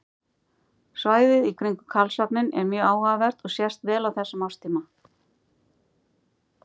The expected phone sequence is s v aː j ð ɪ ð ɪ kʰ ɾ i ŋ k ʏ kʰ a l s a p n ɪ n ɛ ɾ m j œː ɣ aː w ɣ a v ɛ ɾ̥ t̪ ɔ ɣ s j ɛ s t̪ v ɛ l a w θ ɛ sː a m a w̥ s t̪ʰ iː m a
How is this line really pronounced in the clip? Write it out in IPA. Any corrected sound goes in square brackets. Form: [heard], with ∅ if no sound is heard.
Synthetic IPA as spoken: s v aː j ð ɪ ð [i] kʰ ɾ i ŋ k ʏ kʰ a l s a p n ɪ n ɛ ɾ m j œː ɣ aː w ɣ a v ɛ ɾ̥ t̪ ɔ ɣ s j ɛ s t̪ v [ɛː] l a w θ ɛ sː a m a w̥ s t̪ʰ iː m a